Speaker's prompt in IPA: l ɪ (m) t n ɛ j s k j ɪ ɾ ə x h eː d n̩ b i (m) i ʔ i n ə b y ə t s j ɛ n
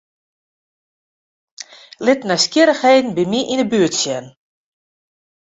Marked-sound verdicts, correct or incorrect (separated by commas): incorrect, correct